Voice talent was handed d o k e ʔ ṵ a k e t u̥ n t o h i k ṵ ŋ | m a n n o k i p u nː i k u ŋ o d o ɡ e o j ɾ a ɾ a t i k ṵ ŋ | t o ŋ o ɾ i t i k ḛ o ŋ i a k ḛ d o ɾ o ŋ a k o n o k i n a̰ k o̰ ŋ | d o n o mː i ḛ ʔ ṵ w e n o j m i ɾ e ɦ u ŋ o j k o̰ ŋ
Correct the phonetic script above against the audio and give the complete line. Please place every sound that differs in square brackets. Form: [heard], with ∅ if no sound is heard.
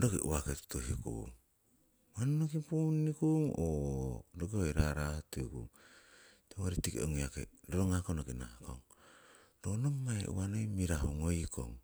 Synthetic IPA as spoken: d o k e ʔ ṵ a k e t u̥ [∅] t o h i k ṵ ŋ | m a n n o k i p u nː i k u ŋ o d o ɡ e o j ɾ a ɾ a t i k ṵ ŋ | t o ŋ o ɾ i t i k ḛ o ŋ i a k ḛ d o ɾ o ŋ a k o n o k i n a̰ k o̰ ŋ | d o n o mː [a] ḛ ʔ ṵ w [a] n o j m i ɾ [a] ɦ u ŋ o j k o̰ ŋ